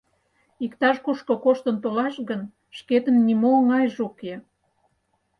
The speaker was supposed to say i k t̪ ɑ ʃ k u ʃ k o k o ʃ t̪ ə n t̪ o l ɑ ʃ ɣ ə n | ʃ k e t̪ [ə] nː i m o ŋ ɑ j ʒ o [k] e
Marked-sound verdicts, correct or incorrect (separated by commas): correct, correct